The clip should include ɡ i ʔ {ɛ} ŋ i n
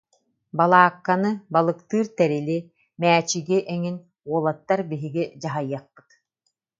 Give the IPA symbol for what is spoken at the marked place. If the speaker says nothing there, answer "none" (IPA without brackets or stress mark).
ɛ